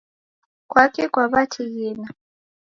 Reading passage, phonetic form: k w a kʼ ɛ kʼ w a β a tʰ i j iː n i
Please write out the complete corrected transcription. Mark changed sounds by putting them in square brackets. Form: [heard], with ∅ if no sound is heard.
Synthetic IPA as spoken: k w a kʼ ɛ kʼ w a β a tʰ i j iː n [a]